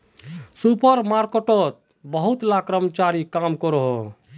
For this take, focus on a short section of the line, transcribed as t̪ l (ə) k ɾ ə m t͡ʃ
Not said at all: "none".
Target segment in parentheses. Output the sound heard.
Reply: a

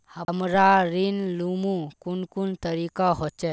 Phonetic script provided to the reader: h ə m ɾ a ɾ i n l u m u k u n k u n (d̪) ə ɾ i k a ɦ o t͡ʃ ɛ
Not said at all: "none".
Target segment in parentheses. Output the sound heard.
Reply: t̪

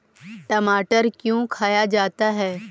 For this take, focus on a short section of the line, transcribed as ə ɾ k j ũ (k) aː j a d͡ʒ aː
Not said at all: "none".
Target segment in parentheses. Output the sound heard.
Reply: kʰ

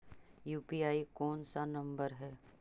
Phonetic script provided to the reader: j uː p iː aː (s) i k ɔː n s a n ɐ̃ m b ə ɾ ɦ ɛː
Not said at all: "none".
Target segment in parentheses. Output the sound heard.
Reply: none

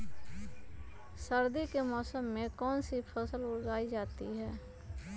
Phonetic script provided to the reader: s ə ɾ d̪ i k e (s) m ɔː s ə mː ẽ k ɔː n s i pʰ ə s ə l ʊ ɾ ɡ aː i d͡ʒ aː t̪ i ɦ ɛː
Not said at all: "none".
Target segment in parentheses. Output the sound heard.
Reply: none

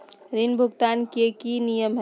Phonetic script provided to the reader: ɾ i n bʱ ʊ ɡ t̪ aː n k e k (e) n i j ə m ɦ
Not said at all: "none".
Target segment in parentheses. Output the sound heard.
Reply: i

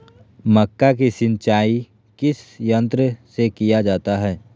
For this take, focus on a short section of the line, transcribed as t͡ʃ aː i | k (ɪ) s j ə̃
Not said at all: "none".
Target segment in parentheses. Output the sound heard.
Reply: ɪ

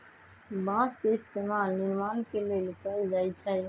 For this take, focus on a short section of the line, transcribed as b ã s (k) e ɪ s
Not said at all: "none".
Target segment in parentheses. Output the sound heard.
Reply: k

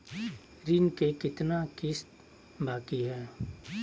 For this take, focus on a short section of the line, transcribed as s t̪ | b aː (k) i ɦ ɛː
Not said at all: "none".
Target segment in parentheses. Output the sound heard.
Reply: k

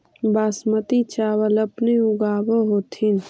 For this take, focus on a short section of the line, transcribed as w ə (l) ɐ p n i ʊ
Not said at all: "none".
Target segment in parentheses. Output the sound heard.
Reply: l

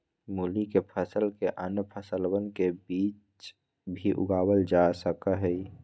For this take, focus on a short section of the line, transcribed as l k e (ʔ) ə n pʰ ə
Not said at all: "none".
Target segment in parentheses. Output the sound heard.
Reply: ʔ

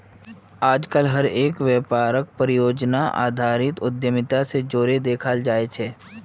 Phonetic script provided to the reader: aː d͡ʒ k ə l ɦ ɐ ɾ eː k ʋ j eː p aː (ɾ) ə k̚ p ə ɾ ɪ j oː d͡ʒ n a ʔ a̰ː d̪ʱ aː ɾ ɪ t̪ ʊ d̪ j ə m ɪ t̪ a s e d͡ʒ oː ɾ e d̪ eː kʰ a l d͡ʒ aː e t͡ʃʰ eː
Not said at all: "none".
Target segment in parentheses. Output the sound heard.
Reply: ɾ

